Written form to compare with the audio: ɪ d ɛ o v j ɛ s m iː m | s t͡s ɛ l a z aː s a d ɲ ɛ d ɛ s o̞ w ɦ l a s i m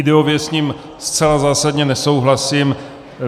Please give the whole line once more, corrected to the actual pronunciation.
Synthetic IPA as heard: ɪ d ɛ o v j ɛ s ɲ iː m | s t͡s ɛ l a z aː s a d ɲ ɛ n ɛ s o̞ w ɦ l a s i m